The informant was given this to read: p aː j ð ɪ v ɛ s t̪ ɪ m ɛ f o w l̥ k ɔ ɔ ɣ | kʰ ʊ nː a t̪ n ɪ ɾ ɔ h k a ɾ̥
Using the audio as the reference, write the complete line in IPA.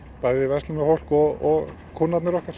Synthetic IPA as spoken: p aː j ð ɪ v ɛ s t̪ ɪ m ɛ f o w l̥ k ɔ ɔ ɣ | kʰ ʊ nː a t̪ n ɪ ɾ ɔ h k a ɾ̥

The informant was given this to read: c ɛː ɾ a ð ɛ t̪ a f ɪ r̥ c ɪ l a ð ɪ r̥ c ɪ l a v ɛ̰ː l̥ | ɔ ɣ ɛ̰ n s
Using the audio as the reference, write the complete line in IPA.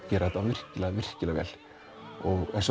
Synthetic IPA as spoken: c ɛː ɾ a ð ɛ t̪ a v ɪ r̥ c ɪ l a v ɪ r̥ c ɪ l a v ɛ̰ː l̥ | ɔ ɣ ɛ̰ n s

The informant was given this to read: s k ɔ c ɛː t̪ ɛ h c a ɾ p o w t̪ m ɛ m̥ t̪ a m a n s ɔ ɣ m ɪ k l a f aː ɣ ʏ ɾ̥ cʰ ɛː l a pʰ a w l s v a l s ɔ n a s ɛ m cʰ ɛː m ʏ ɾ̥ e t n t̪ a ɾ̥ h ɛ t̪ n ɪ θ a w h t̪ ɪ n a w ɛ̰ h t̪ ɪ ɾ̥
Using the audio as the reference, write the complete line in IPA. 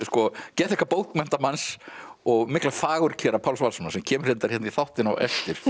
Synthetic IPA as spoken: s k ɔ c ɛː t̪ ɛ h k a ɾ p o w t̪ m ɛ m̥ t̪ a m a n s ɔ ɣ m ɪ k l a f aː ɣ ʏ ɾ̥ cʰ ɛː ɾ a pʰ a w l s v a l s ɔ n a s ɛ m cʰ ɛː m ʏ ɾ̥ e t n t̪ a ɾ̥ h ɛ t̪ n i θ a w h t̪ ɪ n a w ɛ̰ f t̪ ɪ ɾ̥

